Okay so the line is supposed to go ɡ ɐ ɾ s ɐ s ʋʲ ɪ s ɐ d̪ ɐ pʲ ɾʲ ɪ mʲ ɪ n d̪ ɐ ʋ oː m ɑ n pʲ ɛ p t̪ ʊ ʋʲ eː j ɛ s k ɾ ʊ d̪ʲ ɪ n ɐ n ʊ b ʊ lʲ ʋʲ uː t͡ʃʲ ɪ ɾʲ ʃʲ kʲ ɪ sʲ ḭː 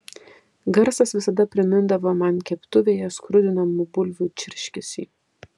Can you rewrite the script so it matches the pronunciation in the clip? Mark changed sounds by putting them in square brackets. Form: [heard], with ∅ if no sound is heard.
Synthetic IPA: ɡ ɐ ɾ s ɐ s ʋʲ ɪ s ɐ d̪ ɐ pʲ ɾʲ ɪ mʲ ɪ n d̪ ɐ ʋ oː m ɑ n [kʲ] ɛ p t̪ ʊ ʋʲ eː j ɛ s k ɾ ʊ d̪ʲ ɪ n ɐ [m] ʊ b ʊ lʲ ʋʲ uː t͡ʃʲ ɪ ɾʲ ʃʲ kʲ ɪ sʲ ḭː